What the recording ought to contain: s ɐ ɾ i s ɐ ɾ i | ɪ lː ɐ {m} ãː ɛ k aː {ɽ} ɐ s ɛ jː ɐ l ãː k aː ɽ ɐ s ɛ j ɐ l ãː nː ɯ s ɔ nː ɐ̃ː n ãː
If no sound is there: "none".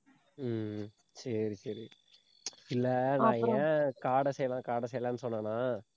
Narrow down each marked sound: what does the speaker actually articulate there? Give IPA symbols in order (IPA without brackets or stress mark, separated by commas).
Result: n, ɽ